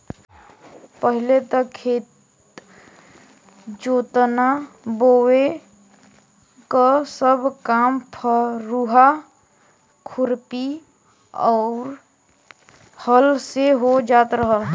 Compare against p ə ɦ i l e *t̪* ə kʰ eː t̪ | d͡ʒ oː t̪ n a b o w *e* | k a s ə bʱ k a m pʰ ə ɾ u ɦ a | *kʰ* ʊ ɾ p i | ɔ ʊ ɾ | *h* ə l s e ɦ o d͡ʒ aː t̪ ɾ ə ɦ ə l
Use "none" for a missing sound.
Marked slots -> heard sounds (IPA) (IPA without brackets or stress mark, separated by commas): t̪, e, kʰ, h